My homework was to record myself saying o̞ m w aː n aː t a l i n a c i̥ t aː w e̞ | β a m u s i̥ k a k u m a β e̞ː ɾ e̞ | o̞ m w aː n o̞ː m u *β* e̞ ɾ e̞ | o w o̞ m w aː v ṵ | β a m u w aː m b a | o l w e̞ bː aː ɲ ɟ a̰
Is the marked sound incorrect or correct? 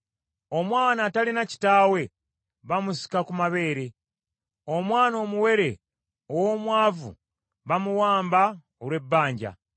incorrect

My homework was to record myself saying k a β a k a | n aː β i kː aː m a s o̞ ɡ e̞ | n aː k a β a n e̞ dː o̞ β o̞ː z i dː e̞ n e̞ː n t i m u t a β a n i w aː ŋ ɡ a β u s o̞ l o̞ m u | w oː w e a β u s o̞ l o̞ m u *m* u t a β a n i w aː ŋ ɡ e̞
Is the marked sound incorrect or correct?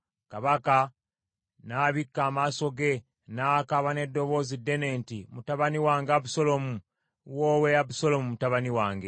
correct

